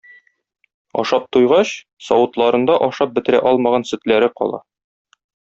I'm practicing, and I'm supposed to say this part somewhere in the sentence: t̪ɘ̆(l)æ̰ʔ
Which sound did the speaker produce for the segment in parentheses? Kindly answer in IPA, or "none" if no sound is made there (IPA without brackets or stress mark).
ɾ